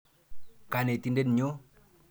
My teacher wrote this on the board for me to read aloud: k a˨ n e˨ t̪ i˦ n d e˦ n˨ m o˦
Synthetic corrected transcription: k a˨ n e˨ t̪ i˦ n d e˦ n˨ ɲ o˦